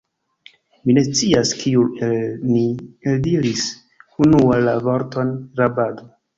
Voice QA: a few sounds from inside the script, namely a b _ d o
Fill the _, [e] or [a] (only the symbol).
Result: a